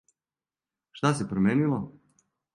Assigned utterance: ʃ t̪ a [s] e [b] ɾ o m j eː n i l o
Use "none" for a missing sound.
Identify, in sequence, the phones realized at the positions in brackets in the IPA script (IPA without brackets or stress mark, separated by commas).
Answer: s, p